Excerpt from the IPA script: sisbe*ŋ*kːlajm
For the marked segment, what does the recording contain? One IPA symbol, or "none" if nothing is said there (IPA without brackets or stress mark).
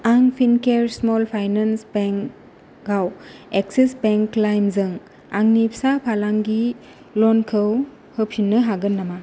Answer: ŋ